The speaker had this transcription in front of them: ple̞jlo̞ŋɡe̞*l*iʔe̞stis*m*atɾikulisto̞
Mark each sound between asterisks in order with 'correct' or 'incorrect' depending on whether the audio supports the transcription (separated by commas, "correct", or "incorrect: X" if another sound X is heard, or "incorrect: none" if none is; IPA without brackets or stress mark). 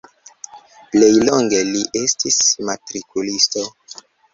correct, correct